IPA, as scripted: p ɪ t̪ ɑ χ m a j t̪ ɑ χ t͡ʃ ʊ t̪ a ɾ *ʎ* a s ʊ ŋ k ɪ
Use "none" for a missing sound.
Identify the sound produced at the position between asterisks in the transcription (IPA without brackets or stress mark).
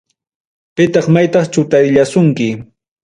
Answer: ʎ